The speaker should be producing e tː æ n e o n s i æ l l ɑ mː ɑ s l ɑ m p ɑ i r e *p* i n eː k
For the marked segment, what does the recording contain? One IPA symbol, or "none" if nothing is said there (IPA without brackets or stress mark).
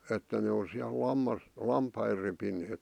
p